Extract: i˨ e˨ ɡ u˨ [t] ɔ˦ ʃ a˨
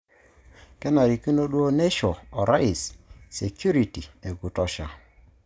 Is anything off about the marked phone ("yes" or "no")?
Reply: no